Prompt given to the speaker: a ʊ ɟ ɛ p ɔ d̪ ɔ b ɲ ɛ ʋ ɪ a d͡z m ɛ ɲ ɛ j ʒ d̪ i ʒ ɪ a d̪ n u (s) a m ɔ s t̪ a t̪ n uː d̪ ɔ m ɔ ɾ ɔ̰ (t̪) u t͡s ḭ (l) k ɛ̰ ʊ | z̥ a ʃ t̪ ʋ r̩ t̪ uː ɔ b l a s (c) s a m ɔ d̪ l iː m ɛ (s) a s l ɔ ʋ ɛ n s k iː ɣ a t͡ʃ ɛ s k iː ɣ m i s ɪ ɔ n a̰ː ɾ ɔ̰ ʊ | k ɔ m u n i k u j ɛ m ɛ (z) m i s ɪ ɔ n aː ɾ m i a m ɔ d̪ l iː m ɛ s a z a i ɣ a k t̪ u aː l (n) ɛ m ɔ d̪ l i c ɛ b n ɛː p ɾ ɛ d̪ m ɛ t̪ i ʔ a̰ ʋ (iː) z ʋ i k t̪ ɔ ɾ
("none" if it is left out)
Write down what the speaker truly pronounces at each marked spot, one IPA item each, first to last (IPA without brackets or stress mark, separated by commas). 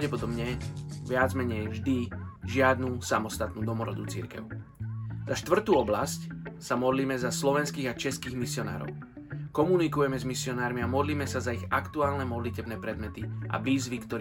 s, d̪, ɾ, c, z, z, n, iː